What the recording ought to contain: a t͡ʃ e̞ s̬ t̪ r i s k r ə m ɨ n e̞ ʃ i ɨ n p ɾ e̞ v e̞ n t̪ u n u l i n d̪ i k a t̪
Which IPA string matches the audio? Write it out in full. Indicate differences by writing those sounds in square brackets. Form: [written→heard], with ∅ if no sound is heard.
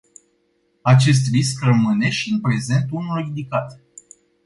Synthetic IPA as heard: a t͡ʃ e̞ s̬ t̪ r i s k r ə m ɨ n e̞ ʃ i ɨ n p ɾ e̞ [v→z] e̞ n t̪ u n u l i n d̪ i k a t̪